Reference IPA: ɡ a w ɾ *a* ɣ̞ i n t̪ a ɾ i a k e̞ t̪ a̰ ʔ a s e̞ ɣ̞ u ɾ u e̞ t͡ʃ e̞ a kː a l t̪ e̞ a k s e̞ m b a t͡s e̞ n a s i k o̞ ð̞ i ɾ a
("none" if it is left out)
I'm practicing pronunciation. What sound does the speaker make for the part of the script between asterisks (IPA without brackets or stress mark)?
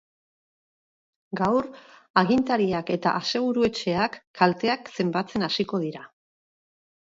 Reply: a